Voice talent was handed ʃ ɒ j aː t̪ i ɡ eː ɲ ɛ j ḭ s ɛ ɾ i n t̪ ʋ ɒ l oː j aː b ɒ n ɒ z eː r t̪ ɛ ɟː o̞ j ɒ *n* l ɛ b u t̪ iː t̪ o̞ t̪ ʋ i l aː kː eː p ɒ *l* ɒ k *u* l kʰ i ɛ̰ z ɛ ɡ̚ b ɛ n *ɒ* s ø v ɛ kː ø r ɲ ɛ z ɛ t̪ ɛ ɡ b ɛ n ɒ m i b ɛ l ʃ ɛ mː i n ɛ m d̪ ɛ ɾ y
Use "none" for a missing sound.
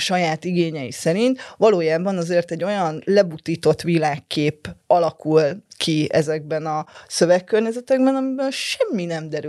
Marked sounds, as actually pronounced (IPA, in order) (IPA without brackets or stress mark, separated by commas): n, l, u, ɒ